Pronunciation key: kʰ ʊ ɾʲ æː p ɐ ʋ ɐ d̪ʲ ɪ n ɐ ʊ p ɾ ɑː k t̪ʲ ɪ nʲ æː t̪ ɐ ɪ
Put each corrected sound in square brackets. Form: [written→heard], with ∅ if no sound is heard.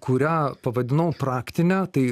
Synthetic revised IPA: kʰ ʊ ɾʲ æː p ɐ ʋ ɐ d̪ʲ ɪ n ɐ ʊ p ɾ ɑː k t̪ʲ ɪ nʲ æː t̪ ɐ ɪ